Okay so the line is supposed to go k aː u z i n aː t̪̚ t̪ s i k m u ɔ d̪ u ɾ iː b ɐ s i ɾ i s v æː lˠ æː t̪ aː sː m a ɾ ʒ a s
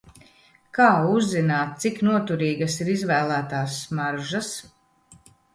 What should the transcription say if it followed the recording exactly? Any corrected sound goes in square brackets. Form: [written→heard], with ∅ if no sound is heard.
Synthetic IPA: k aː u [z→zː] i n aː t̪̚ t̪ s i k [m→n] u ɔ [d̪→t̪] u ɾ iː [b→ɡ] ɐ s i ɾ i [s→z] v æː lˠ æː t̪ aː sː m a ɾ ʒ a s

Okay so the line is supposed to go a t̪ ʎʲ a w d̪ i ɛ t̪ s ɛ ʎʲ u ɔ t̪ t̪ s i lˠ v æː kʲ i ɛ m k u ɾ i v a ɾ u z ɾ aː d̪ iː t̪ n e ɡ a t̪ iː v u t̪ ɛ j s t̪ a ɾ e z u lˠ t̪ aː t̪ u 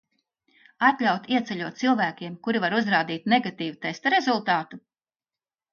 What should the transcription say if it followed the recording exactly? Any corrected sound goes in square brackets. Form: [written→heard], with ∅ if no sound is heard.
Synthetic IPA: a t̪ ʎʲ a w [d̪→t̪] i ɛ t̪ s ɛ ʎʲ u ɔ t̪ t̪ s i lˠ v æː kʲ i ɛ m k u ɾ i v a ɾ u z ɾ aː d̪ iː t̪ n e ɡ a t̪ iː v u t̪ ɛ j s t̪ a ɾ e z u lˠ t̪ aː t̪ u

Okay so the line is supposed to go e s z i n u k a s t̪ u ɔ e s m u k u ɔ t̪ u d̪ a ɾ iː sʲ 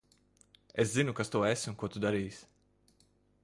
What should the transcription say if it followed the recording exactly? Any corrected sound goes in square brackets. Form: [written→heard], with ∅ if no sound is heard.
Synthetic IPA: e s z i n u k a s t̪ u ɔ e s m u k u ɔ t̪ u d̪ a ɾ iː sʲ

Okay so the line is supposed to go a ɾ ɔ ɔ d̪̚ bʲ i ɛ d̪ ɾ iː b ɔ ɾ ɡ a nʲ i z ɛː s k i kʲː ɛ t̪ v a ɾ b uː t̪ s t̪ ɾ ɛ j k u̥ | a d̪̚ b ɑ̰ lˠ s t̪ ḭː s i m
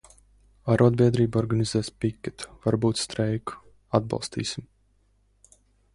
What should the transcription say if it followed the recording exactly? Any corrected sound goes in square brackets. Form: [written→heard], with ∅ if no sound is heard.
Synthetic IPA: a ɾ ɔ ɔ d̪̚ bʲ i ɛ d̪ ɾ iː b ɔ ɾ ɡ a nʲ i z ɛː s [k→p] i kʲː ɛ t̪ v a ɾ b uː t̪ s t̪ ɾ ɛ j k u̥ | a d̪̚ b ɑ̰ lˠ s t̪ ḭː s i m

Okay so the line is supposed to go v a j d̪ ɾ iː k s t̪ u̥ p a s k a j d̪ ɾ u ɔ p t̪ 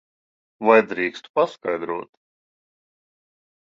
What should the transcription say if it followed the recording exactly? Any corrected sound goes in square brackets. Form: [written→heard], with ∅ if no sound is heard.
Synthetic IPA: v a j d̪ ɾ iː k s t̪ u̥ p a s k a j d̪ ɾ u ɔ [p→∅] t̪

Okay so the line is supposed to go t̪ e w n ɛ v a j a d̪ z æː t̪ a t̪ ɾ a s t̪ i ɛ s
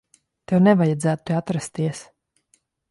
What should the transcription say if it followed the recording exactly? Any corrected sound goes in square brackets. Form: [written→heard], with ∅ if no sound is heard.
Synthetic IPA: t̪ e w n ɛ v a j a d̪ z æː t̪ a t̪ ɾ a s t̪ i ɛ s

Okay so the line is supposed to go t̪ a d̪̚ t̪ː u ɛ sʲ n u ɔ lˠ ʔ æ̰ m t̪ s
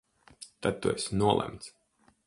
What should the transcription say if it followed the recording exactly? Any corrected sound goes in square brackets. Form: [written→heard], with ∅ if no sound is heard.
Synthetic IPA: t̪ a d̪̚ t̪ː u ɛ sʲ n u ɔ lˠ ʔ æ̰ m t̪ s

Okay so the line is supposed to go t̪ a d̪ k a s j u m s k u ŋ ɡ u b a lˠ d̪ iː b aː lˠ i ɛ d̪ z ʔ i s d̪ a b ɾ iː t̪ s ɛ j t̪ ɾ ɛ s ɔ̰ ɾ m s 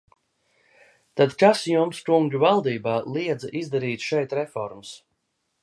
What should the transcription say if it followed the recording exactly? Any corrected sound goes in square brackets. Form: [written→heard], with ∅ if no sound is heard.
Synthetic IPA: t̪ a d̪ k a s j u m s k u ŋ ɡ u [b→v] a lˠ d̪ iː b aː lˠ i ɛ d̪ z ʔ i [s→z] d̪ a [b→∅] ɾ iː t̪ [s→ʃ] ɛ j t̪ ɾ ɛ [s→f] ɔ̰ ɾ m s

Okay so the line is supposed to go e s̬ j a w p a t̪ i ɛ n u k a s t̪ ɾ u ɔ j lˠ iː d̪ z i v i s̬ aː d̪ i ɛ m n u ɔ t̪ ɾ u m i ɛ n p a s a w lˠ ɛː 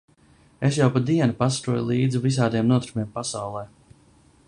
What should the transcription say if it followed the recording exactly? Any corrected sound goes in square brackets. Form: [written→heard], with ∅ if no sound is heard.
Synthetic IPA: e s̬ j a w p a [t̪→d̪] i ɛ n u [k→p] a s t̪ ɾ u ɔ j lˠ iː d̪ z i v i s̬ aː d̪ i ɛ m n u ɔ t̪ ɾ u m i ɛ [n→m] p a s a w lˠ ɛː

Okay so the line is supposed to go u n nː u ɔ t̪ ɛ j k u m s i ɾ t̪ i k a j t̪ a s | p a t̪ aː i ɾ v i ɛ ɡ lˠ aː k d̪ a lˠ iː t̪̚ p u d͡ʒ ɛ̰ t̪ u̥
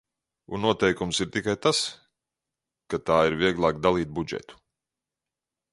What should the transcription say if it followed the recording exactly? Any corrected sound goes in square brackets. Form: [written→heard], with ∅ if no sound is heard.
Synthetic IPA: u n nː u ɔ t̪ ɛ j k u m s i ɾ t̪ i k a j t̪ a s | [p→k] a t̪ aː i ɾ v i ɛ ɡ lˠ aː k d̪ a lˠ iː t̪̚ [p→b] u d͡ʒ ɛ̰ t̪ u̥

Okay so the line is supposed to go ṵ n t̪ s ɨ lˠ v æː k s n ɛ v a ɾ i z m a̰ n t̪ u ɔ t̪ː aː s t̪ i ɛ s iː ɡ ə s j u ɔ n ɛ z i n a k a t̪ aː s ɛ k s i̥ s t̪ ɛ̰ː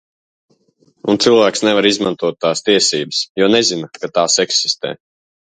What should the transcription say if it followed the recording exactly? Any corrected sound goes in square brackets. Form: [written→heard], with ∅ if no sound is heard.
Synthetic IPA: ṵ n t̪ s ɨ lˠ v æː k s n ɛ v a ɾ i z m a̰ n t̪ u ɔ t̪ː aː s t̪ i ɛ s iː [ɡ→b] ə s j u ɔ n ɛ z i n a k a t̪ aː s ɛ k s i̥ s t̪ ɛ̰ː

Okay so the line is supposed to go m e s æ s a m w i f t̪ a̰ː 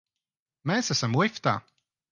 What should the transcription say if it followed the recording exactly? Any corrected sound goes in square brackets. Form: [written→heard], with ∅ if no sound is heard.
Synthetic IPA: m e s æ s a m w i f t̪ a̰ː

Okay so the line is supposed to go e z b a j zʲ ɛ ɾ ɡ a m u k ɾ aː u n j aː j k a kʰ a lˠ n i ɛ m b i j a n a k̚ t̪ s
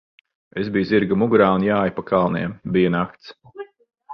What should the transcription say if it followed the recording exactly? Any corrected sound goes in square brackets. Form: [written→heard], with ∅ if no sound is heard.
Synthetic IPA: e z b [a→i] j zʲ [ɛ→i] ɾ ɡ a m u [k→ɡ] ɾ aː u n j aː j [k→p] a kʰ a lˠ n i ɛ m b i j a n a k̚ t̪ s

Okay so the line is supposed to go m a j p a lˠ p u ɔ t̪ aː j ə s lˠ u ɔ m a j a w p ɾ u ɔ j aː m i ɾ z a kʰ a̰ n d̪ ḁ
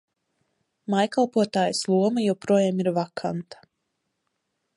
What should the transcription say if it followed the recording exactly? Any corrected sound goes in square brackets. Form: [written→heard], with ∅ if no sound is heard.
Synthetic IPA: m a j [p→k] a lˠ p u ɔ t̪ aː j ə s lˠ u ɔ m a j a w p ɾ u ɔ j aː m i ɾ [z→v] a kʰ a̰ n [d̪→t̪] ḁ

